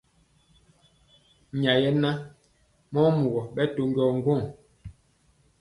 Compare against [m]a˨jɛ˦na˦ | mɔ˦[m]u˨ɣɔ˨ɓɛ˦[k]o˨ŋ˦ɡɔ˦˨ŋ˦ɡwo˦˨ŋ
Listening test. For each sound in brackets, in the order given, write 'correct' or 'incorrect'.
incorrect: ɲ, correct, incorrect: t

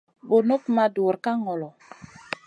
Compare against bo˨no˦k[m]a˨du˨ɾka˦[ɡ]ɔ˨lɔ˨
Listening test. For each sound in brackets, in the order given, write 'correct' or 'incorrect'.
correct, incorrect: ŋ

